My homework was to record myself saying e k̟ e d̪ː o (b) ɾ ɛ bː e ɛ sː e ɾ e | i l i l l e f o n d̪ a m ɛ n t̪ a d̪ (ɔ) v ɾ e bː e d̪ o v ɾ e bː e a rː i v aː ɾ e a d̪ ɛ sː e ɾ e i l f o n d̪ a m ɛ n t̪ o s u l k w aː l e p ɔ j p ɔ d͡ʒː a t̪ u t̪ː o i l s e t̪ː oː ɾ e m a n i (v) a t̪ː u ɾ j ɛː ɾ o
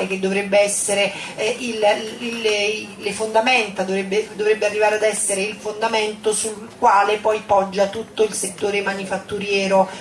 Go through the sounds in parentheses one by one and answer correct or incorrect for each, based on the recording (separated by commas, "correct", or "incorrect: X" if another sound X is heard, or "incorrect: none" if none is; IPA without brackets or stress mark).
incorrect: v, incorrect: o, incorrect: f